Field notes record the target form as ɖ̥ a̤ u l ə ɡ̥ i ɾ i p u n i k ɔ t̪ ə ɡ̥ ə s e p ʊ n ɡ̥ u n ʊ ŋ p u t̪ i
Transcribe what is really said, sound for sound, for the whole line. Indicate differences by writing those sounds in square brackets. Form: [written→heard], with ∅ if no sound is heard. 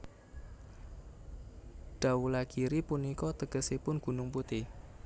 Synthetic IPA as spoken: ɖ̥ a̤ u l [ə→a] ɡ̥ i ɾ i p u n i k ɔ t̪ ə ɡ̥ ə s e p ʊ n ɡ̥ u n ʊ ŋ p u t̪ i